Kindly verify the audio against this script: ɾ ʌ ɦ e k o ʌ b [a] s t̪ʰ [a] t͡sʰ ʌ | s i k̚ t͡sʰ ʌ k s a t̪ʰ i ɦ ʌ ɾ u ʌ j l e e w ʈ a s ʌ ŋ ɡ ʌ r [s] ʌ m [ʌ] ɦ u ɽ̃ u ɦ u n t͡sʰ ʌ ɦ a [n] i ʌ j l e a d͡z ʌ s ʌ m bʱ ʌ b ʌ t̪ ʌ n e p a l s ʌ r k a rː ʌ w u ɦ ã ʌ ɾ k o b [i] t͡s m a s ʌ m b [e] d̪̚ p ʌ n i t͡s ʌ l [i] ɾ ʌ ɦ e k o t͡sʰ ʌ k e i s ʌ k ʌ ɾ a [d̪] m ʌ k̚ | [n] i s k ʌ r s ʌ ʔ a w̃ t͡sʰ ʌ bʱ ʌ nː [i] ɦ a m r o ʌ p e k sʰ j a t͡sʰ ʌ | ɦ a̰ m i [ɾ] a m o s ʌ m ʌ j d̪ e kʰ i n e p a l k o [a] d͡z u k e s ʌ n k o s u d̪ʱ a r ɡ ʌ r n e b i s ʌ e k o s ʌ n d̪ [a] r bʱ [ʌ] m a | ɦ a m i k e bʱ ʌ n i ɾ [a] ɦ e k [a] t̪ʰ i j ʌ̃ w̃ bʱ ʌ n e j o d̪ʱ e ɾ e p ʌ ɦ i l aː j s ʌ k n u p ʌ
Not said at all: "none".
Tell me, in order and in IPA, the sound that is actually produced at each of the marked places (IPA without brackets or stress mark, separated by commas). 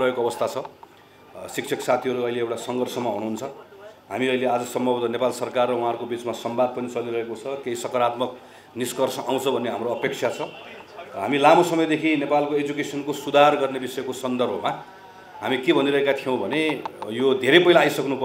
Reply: ʌ, a, s, a, m, i, a, i, t̪, n, e, l, e, ʌ, ʌ, ʌ, a